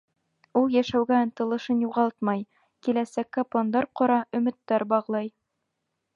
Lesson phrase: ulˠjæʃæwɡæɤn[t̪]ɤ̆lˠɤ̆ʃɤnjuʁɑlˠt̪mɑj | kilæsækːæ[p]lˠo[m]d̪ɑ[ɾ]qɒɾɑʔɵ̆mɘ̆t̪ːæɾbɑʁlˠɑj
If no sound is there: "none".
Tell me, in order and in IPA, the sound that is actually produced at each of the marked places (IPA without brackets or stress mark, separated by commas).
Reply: t̪, p, n, ɾ